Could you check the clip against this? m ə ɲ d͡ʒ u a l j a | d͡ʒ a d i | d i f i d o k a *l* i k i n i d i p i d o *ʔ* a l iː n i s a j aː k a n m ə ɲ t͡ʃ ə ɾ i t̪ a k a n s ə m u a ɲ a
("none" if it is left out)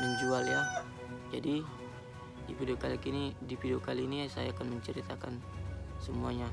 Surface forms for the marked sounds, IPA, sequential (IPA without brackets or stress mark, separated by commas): l, k